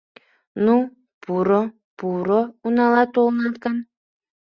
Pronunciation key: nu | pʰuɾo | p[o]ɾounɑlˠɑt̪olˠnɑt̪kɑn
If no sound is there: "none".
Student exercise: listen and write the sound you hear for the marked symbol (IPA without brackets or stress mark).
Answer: u